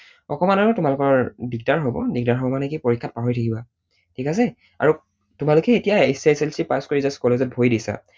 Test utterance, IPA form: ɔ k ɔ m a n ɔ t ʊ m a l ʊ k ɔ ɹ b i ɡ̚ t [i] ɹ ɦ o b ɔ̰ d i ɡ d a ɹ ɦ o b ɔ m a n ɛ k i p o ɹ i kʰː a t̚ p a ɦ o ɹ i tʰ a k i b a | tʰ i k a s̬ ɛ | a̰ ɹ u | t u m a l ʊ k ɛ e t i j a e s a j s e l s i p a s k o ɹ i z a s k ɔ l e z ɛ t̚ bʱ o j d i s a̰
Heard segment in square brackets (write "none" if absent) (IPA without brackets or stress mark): a